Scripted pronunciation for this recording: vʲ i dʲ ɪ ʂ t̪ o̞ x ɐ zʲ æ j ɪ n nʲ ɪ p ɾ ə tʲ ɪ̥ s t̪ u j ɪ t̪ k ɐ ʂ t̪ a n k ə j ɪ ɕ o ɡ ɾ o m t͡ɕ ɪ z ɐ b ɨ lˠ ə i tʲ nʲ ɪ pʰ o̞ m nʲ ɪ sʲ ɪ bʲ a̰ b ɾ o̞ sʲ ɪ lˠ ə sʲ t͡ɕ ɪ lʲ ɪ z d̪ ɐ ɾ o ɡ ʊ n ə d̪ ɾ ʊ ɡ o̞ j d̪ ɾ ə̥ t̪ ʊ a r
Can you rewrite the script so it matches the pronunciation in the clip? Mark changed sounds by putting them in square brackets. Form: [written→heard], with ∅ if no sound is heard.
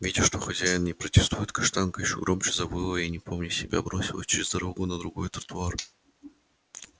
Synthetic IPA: vʲ i dʲ ɪ ʂ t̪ o̞ x ɐ zʲ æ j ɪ n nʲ ɪ p ɾ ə tʲ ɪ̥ s t̪ u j ɪ t̪ k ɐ ʂ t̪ a n k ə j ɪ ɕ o ɡ ɾ o m t͡ɕ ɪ z ɐ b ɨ lˠ ə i [tʲ→∅] nʲ ɪ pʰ o̞ m nʲ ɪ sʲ ɪ bʲ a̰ b ɾ o̞ sʲ ɪ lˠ ə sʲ t͡ɕ ɪ [lʲ→ɾʲ] ɪ z d̪ ɐ ɾ o ɡ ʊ n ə d̪ ɾ ʊ ɡ o̞ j [d̪→t̪] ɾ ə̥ t̪ ʊ a r